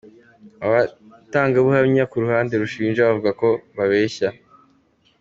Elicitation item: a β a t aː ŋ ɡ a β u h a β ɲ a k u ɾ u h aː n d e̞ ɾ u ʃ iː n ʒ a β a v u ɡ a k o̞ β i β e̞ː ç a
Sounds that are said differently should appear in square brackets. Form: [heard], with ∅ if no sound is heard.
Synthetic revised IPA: a β a t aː ŋ ɡ a β u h a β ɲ a k u ɾ u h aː n d e̞ ɾ u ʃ iː n ʒ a β a v u ɡ a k o̞ β [a] β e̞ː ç a